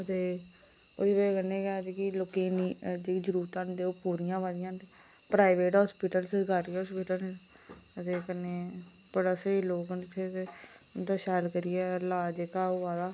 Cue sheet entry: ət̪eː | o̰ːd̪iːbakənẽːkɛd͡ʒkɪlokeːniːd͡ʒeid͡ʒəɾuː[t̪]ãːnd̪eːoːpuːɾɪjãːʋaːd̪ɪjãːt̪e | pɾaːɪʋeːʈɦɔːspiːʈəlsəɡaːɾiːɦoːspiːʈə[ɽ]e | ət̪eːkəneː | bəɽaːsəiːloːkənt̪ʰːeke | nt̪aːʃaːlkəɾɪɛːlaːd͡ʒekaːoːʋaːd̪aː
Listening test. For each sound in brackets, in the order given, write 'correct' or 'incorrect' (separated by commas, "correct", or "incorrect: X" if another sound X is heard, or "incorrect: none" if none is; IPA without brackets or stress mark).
correct, incorrect: l